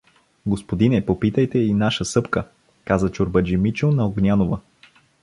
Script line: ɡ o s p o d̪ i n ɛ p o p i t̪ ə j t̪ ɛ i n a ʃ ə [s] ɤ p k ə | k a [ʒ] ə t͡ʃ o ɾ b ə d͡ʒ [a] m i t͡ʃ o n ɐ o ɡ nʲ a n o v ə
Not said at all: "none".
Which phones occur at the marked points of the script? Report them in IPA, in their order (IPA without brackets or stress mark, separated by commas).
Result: s, z, i